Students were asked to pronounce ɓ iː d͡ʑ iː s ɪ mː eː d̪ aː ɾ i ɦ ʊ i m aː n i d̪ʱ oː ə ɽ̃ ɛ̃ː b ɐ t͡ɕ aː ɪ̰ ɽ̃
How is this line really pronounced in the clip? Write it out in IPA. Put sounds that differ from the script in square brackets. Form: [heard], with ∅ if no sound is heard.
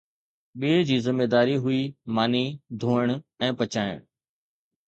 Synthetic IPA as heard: ɓ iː d͡ʑ iː [z] ɪ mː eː d̪ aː ɾ i ɦ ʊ i m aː n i d̪ʱ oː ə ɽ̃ ɛ̃ː [p] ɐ t͡ɕ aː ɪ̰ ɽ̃